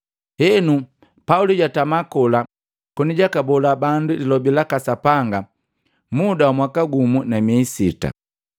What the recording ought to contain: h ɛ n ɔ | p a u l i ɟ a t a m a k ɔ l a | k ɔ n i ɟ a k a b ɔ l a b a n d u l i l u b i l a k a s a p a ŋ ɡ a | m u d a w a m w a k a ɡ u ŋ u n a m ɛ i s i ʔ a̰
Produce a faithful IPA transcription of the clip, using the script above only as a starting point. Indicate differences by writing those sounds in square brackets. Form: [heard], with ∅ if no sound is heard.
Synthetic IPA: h ɛ n [u] | p a u l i ɟ a t a m a k ɔ l a | k ɔ n i ɟ a k a b ɔ l a b a n d u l i l [ɔ] b i l a k a s a p a ŋ ɡ a | m u d a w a m w a k a ɡ u [m] u n a m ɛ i s i [t] a̰